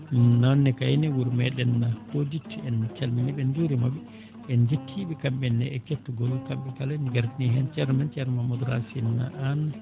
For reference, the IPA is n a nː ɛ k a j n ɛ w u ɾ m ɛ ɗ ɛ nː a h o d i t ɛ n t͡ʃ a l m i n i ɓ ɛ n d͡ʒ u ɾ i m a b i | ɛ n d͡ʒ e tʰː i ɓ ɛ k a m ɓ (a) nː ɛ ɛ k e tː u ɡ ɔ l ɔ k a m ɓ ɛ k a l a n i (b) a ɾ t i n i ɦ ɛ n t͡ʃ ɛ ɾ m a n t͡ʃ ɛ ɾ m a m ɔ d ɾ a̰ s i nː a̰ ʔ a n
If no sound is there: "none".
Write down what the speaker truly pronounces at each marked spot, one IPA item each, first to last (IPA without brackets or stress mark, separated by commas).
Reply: ɛ, ɡ